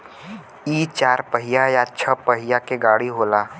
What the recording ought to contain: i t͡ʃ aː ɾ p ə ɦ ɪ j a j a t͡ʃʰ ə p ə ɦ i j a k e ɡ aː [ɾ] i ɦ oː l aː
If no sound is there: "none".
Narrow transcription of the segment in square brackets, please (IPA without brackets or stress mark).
ɽ